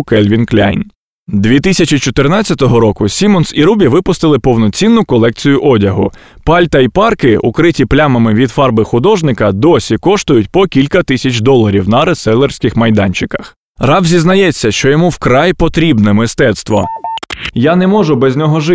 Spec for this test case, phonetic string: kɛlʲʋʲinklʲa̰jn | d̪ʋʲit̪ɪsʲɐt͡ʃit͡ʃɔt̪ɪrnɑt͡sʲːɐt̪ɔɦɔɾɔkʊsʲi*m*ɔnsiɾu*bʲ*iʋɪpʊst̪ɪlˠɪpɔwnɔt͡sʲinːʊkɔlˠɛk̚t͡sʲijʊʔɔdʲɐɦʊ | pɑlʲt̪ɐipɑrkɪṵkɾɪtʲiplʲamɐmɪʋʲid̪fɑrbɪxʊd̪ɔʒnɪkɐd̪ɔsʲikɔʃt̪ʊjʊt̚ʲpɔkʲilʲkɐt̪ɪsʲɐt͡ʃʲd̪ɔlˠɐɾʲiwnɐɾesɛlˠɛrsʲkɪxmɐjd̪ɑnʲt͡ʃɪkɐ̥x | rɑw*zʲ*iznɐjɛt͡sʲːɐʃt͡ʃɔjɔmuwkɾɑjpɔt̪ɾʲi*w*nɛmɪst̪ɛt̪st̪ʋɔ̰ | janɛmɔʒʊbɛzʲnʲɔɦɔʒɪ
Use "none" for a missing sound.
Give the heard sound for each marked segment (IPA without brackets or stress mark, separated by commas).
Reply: m, bʲ, zʲ, b